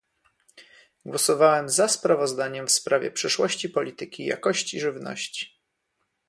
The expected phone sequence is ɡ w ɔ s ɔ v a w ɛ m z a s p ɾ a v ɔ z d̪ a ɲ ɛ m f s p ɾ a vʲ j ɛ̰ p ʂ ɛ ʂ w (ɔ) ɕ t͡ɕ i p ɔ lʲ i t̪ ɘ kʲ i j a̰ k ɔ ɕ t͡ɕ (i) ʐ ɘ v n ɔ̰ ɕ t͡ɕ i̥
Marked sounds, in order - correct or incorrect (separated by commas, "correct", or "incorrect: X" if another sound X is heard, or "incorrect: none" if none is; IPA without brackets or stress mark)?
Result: correct, correct